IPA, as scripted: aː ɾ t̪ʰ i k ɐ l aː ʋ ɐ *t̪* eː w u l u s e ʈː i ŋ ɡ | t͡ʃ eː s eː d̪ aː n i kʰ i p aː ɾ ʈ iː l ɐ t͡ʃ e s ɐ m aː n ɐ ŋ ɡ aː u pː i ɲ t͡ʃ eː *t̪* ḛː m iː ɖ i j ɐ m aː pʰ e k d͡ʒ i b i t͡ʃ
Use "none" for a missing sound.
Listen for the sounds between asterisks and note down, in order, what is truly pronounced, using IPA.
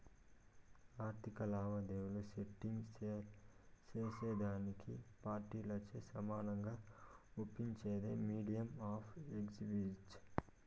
d̪, d̪

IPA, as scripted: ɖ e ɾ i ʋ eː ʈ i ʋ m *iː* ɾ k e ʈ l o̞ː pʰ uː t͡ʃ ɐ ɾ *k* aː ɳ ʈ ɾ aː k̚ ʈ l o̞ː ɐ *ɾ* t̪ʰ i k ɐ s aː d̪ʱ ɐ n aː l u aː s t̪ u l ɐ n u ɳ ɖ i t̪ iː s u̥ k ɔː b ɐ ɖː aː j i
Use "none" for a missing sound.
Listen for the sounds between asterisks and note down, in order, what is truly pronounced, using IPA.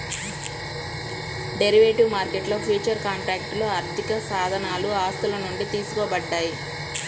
aː, k, ɾ

